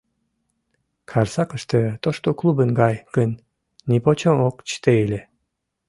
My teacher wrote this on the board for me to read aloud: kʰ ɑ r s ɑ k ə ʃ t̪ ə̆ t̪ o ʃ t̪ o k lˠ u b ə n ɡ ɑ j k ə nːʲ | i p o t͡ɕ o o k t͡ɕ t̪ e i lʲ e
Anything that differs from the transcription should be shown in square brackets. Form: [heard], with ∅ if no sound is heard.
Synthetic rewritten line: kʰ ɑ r s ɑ k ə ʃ t̪ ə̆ t̪ o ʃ t̪ o k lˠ u b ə n ɡ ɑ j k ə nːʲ | i p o t͡ɕ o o k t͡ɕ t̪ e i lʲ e